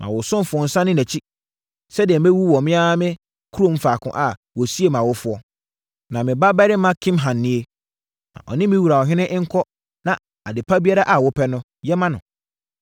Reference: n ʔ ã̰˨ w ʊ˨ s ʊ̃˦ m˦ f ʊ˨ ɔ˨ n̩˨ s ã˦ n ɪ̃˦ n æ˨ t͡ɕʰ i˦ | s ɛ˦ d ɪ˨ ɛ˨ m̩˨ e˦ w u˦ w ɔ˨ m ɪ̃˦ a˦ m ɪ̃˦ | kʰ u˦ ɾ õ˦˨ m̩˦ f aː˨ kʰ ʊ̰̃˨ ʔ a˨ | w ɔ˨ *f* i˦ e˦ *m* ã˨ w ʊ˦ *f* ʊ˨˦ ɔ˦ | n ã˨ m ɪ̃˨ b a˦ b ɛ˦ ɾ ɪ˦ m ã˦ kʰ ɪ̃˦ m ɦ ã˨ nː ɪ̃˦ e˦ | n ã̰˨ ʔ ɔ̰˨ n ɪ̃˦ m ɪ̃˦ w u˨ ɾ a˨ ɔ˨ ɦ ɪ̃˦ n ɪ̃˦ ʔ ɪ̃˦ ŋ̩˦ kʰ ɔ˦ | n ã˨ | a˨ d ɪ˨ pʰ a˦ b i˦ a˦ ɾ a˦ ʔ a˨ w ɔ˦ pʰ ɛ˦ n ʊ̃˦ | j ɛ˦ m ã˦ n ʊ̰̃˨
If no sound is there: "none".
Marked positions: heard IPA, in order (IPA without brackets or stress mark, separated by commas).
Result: s, m, f